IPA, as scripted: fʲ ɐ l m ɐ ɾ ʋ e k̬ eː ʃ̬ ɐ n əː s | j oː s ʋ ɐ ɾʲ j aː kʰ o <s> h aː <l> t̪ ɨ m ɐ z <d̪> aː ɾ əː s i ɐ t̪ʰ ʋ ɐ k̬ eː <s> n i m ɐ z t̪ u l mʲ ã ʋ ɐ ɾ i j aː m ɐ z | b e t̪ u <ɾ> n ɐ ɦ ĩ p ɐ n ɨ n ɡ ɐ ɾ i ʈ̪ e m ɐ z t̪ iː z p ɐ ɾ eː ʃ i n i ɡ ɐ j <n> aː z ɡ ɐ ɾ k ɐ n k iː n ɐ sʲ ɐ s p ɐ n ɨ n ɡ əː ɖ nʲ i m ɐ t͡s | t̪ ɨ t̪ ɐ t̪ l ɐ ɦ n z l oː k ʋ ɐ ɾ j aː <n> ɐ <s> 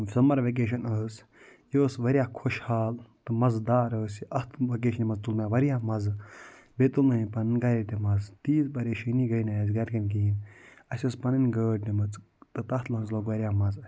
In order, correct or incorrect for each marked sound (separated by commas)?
incorrect, correct, correct, incorrect, incorrect, correct, incorrect, incorrect